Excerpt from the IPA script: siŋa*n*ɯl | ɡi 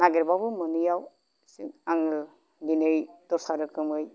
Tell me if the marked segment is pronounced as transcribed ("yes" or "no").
no